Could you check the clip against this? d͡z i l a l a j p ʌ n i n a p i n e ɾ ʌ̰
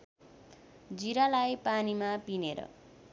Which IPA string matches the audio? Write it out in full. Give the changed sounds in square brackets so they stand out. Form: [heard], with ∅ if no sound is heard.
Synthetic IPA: d͡z i [ɾ] a l a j p [a] n i [m] a p i n e ɾ ʌ̰